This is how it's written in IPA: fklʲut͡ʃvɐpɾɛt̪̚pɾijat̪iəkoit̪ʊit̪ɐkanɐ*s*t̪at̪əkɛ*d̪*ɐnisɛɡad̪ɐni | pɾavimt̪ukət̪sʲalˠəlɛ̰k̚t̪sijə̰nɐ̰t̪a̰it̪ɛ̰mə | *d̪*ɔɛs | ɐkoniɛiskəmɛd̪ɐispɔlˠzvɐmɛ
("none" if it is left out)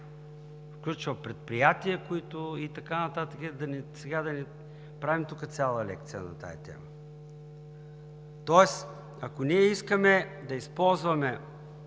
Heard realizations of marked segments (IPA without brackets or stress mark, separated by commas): none, d̪, t̪